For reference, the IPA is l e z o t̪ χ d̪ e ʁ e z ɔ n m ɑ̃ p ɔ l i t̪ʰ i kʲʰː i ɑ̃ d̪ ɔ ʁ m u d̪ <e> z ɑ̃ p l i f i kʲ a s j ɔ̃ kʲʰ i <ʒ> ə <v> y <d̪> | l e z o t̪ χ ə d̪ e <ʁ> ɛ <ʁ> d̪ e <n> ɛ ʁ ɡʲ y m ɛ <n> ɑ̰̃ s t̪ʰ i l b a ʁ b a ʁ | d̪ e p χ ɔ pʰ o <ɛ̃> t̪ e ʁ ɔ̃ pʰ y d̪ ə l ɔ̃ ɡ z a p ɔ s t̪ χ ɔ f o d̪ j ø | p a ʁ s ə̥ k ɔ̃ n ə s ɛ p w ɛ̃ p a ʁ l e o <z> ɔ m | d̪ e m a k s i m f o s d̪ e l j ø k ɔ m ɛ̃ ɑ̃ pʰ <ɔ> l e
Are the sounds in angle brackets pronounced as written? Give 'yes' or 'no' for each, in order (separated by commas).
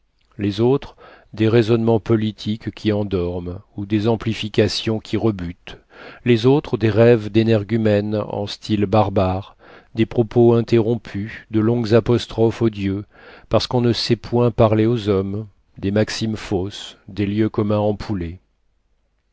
yes, no, no, no, yes, no, yes, yes, yes, yes, no